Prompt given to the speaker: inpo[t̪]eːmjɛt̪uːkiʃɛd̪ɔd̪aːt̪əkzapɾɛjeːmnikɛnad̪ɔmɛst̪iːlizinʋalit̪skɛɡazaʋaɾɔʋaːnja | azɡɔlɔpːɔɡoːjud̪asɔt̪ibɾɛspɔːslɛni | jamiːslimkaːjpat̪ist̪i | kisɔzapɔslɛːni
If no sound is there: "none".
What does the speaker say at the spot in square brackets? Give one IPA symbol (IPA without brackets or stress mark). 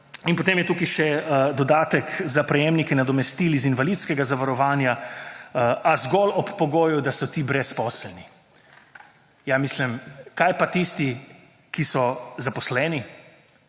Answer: t̪